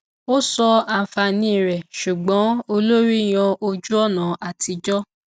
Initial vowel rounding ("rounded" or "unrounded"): rounded